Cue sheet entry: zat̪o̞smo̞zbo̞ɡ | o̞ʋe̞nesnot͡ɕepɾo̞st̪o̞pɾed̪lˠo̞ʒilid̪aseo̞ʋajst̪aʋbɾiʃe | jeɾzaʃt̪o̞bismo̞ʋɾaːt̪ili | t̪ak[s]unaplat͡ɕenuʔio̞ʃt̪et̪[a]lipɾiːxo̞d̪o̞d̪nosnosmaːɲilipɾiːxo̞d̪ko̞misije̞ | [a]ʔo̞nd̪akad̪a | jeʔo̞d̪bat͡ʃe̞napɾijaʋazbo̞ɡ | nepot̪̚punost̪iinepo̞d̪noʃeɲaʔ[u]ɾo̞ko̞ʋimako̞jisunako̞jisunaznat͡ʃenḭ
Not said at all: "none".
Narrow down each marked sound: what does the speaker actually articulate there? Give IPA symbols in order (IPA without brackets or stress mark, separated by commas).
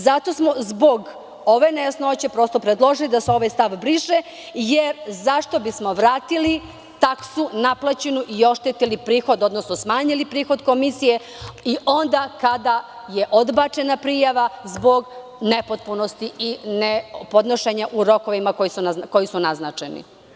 s, i, i, u